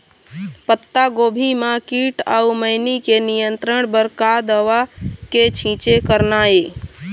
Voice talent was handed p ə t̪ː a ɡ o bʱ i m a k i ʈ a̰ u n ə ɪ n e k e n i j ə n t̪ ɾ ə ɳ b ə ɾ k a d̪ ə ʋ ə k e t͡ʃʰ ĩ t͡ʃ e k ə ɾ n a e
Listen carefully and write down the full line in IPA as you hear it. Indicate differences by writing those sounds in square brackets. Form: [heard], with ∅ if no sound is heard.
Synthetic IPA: p ə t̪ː a ɡ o bʱ i m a k i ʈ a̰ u [m] ə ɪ n [i] k e n i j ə n t̪ ɾ ə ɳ b ə ɾ k a d̪ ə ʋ [a] k e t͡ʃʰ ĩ t͡ʃ e k ə ɾ n a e